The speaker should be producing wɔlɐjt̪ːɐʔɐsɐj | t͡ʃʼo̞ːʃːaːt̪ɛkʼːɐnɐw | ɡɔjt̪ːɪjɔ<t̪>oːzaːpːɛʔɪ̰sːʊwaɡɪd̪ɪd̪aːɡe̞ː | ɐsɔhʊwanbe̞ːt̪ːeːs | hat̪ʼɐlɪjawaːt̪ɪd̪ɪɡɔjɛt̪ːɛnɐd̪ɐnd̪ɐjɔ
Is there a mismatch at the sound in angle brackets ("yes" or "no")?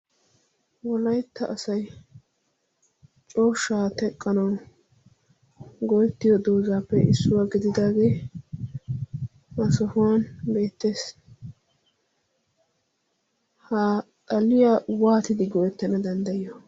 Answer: yes